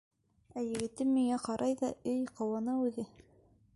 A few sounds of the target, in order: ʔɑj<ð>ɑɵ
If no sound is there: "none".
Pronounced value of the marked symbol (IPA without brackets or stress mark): ð